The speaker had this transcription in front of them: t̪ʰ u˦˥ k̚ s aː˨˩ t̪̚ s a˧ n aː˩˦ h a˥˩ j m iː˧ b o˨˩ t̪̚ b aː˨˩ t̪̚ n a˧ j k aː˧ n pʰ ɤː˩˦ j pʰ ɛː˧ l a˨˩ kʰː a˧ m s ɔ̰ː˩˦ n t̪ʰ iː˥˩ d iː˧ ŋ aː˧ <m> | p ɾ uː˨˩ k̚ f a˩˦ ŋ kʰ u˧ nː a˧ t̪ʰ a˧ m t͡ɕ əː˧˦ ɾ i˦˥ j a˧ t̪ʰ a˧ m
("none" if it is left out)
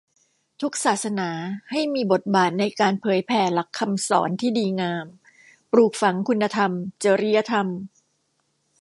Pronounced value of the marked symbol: m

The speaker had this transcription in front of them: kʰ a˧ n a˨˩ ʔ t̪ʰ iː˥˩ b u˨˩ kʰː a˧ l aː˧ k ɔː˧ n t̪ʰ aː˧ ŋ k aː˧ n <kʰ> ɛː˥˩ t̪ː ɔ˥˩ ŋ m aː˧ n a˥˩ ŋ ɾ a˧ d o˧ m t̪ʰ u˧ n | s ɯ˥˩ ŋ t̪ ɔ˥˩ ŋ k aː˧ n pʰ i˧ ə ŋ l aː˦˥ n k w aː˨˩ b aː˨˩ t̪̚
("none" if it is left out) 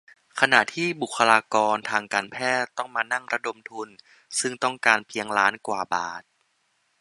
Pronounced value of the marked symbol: pʰ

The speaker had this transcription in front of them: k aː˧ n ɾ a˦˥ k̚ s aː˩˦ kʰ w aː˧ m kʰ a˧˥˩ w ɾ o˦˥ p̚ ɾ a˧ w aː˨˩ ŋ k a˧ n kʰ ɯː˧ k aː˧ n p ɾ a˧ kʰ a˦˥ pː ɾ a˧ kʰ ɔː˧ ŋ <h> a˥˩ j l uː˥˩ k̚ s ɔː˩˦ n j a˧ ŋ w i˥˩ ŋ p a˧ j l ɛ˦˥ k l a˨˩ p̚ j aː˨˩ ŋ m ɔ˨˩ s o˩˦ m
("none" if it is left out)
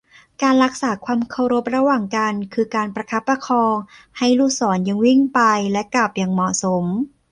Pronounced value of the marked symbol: h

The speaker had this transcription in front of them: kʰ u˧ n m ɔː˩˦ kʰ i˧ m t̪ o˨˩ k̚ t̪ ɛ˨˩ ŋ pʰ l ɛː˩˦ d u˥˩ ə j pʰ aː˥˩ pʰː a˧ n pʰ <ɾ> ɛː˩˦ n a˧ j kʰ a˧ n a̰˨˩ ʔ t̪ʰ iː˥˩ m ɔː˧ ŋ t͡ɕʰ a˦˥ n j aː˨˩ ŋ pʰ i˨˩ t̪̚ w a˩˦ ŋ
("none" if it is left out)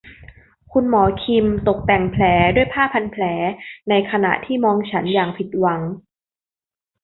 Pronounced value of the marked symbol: l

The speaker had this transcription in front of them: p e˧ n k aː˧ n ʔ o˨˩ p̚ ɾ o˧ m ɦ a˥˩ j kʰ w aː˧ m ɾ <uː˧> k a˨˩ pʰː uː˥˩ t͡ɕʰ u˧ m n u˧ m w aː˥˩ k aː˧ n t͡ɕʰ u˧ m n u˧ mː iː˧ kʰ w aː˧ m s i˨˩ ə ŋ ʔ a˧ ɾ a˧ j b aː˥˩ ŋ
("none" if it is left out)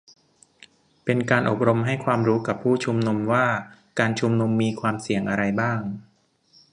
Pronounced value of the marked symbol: uː˦˥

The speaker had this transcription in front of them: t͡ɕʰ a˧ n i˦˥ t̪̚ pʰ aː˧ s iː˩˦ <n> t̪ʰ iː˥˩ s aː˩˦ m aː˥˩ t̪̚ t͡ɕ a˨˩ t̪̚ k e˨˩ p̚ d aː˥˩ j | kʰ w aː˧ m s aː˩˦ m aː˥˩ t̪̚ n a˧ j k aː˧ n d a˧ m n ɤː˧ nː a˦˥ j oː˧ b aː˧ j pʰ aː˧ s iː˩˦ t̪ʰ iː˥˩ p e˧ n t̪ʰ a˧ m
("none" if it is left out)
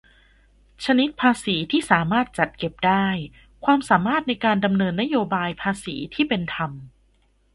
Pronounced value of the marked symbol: none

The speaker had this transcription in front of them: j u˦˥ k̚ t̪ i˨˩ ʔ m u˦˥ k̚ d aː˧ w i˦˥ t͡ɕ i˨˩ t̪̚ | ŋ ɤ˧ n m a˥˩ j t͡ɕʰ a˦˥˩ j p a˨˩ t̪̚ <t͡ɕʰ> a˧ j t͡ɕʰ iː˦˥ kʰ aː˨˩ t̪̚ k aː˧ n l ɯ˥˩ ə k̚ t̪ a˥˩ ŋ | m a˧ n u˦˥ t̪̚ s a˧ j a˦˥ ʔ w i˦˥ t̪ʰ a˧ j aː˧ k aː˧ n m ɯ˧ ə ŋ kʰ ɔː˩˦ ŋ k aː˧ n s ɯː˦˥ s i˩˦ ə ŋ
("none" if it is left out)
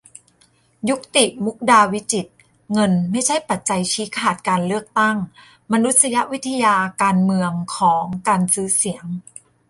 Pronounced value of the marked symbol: t͡ɕ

